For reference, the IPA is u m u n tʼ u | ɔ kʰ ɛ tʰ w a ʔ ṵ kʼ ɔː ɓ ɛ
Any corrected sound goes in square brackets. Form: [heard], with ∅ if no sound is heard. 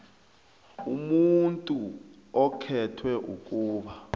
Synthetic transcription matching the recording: u m u n tʼ u | ɔ kʰ ɛ tʰ w [ɛ] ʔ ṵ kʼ [uː] ɓ [a]

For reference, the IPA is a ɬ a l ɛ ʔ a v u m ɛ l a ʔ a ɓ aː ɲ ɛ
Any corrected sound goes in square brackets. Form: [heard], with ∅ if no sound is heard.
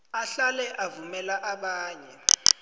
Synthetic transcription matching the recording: a ɬ a l ɛ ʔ a v u m ɛ l a ʔ a ɓ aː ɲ ɛ

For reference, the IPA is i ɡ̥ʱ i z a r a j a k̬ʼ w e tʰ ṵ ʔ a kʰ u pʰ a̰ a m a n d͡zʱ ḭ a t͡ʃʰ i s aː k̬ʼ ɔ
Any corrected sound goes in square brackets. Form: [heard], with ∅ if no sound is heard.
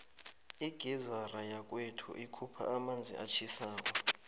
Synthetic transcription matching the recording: i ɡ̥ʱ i z a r a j a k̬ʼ w e tʰ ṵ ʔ [i] kʰ u pʰ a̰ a m a n d͡zʱ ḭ a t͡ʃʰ i s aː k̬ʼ ɔ

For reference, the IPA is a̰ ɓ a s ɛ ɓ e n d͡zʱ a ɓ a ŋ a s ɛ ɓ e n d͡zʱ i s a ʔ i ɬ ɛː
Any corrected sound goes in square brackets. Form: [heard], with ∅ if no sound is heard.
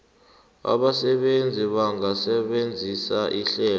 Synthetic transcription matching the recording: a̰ ɓ a s ɛ ɓ e n d͡zʱ [i] ɓ a ŋ a s ɛ ɓ e n d͡zʱ i s a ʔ i ɬ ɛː

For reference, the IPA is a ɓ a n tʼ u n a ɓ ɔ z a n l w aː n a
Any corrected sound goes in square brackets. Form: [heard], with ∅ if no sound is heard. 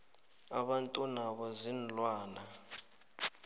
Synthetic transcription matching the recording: a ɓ a n tʼ u n a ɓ ɔ z [i] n l w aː n a

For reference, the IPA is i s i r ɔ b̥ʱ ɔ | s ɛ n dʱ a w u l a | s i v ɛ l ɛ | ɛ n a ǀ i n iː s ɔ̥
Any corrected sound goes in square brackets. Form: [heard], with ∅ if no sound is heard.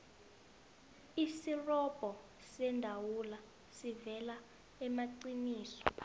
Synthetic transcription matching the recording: i s i r ɔ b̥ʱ ɔ | s ɛ n dʱ a w u l a | s i v ɛ l [a] | ɛ [m] a ǀ i n iː s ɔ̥

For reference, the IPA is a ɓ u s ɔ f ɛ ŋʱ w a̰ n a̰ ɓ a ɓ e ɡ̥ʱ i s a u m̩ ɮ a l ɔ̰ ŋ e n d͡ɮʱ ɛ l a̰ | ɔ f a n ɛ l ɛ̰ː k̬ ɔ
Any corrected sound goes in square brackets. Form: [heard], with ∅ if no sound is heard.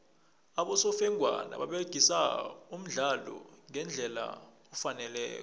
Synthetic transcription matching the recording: a ɓ [ɔ] s ɔ f ɛ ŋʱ w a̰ n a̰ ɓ a ɓ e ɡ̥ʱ i s a u m̩ ɮ a l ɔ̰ ŋ [ɛ] n d͡ɮʱ ɛ l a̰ | ɔ f a n ɛ l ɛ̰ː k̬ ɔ

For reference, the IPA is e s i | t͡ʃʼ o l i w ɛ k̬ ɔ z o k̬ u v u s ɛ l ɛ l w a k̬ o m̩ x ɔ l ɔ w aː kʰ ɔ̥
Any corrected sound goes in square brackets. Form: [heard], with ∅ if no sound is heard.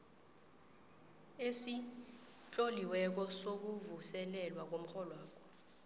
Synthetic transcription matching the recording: e s i | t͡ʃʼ o l i w ɛ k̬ ɔ [s] o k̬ u v u s ɛ l ɛ l w a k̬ o m̩ x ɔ l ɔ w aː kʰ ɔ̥

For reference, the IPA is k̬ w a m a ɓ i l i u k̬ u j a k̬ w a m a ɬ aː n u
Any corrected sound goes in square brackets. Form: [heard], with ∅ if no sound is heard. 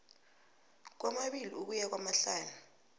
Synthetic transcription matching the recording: k̬ w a m a ɓ i l i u k̬ u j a k̬ w a m a ɬ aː n u

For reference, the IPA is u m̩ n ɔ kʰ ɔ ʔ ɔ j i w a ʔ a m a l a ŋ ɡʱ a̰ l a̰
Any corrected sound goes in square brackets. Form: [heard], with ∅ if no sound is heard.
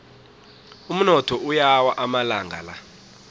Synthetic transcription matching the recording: u m̩ n ɔ [tʰ] ɔ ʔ [u] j [a] w a ʔ a m a l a ŋ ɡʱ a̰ l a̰

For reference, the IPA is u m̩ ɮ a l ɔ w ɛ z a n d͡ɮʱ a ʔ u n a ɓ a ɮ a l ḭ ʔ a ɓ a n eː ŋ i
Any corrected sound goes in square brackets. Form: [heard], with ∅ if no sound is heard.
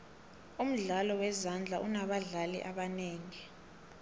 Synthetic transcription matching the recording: u m̩ ɮ a l ɔ w ɛ z a n d͡ɮʱ a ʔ u n a ɓ a ɮ a l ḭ ʔ a ɓ a n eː ŋ i

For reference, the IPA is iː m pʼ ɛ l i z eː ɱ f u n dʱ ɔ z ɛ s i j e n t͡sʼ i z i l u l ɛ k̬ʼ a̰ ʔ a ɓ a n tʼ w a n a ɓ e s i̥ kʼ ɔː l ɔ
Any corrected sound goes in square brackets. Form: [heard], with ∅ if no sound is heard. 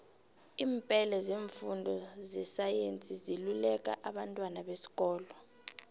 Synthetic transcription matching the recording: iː m pʼ ɛ l [ɛ] z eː ɱ f u n dʱ ɔ z ɛ s [a] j e n t͡sʼ i z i l u l ɛ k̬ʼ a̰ ʔ a ɓ a n tʼ w a n a ɓ e s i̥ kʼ ɔː l ɔ

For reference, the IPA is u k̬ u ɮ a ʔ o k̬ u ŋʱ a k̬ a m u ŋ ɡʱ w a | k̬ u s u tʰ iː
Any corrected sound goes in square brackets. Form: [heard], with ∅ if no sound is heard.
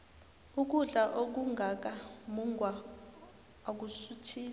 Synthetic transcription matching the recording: u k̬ u ɮ a ʔ o k̬ u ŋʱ a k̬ a m u ŋ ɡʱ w a | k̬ u s u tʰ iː

